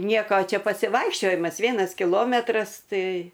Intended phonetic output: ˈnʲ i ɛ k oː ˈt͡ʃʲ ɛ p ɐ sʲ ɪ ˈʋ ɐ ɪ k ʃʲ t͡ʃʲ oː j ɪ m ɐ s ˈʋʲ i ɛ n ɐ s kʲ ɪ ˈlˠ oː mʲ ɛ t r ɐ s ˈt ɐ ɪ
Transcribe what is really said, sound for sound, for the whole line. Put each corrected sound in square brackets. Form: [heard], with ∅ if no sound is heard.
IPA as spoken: ˈnʲ i ɛ k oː ˈt͡ʃʲ ɛ p ɐ sʲ ɪ ˈʋ ɐ ɪ k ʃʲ t͡ʃʲ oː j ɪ m ɐ s ˈʋʲ i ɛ n ɐ s kʲ ɪ ˈlˠ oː mʲ ɛ t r ɐ s ˈt ɐ ɪ